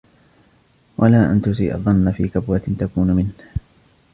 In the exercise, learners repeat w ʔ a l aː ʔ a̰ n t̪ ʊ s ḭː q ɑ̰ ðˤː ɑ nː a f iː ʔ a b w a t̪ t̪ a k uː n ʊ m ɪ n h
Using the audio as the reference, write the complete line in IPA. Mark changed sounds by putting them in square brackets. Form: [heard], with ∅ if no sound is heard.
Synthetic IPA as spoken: w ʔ a l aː ʔ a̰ n t̪ ʊ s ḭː [ʔ] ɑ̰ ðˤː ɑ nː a f iː [k] a b w a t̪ t̪ a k uː n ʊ m ɪ n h